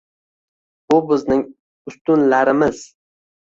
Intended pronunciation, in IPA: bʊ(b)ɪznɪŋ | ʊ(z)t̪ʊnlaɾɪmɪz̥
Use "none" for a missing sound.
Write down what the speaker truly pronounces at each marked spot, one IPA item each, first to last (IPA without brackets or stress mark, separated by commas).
b, s